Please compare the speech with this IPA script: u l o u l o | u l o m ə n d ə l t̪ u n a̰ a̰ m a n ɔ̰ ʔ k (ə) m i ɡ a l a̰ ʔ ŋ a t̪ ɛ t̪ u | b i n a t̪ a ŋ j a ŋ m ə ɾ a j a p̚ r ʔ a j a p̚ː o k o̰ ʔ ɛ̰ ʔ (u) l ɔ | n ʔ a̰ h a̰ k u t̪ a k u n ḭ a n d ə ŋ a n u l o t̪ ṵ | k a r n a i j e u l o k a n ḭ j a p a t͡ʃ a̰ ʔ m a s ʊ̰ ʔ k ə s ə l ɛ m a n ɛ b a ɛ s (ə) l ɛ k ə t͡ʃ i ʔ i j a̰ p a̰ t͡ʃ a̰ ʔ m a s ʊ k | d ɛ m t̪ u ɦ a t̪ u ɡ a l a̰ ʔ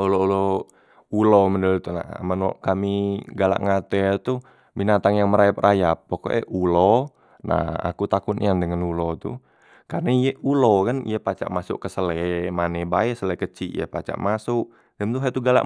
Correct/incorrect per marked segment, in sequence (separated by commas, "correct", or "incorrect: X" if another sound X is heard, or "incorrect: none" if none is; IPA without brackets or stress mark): incorrect: a, correct, correct